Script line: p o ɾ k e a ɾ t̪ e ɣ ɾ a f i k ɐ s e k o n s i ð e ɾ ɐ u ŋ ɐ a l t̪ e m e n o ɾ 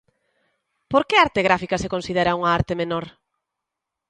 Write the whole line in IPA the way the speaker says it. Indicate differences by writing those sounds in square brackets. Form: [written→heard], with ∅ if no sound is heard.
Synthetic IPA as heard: p o ɾ k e a ɾ t̪ e ɣ ɾ a f i k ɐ s e k o n s i ð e ɾ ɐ u ŋ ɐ a [l→ɾ] t̪ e m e n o ɾ

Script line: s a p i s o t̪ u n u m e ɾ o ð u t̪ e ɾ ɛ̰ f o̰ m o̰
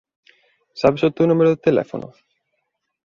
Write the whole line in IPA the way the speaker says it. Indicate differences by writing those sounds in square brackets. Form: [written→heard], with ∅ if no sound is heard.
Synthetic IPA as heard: s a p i s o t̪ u n u m e ɾ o ð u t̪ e [ɾ→l] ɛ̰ f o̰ [m→n] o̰

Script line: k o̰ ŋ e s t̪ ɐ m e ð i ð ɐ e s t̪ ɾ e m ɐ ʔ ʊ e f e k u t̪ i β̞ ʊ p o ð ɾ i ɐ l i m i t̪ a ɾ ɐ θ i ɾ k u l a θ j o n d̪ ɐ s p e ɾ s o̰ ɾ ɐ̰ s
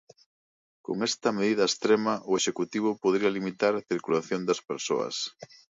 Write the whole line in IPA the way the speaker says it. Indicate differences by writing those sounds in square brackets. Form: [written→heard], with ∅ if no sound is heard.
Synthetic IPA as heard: k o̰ ŋ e s t̪ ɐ m e ð i ð ɐ e s t̪ ɾ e m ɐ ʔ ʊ e [f→ʃ] e k u t̪ i β̞ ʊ p o ð ɾ i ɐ l i m i t̪ a ɾ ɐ θ i ɾ k u l a θ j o n d̪ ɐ s p e ɾ s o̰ [ɾ→∅] ɐ̰ s

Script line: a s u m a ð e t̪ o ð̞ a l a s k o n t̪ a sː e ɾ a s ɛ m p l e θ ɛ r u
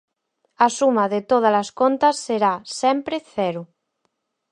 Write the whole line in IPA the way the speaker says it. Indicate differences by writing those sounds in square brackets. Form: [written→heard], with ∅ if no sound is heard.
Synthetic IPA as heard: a s u m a ð e t̪ o ð̞ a l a s k o n t̪ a sː e ɾ a s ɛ m p [l→ɾ] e θ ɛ [r→ɾ] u

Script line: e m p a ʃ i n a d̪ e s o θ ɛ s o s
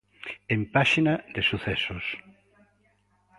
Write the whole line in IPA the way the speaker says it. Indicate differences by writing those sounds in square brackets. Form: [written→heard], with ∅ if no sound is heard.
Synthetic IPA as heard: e m p a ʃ i n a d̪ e s [o→u] θ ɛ s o s

